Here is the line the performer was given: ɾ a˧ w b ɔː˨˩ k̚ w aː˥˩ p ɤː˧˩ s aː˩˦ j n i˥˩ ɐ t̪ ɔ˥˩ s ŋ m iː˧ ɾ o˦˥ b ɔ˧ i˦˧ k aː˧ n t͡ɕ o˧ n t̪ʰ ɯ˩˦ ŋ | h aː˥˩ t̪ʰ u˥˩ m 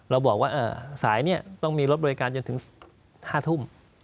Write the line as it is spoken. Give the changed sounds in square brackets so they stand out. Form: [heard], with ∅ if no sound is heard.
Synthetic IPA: ɾ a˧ w b ɔː˨˩ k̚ w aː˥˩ [ʔ] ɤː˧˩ s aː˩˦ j n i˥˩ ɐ t̪ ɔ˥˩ [∅] ŋ m iː˧ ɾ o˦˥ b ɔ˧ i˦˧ k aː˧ n t͡ɕ o˧ n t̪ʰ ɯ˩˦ ŋ | h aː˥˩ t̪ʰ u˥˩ m